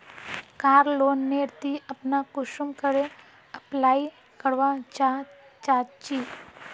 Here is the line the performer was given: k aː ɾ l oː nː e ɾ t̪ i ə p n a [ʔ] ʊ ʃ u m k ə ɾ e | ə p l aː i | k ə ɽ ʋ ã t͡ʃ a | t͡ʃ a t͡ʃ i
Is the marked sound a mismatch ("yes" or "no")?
yes